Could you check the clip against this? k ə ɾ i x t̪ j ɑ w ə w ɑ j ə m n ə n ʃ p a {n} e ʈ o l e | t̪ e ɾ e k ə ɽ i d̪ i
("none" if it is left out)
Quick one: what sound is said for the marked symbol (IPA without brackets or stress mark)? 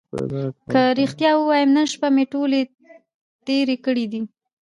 m